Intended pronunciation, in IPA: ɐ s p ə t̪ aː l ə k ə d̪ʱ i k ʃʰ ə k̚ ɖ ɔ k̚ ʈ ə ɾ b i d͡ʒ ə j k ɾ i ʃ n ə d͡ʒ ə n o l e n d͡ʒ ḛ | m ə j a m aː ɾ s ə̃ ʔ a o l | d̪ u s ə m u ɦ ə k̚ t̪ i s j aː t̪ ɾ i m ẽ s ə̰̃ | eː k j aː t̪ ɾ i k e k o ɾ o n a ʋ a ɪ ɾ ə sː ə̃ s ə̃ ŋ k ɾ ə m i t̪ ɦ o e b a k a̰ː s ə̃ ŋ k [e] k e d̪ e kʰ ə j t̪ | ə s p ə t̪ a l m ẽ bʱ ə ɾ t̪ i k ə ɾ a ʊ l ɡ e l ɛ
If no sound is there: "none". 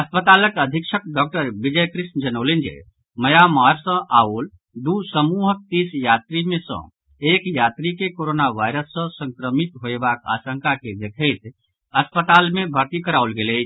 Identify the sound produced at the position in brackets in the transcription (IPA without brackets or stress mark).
a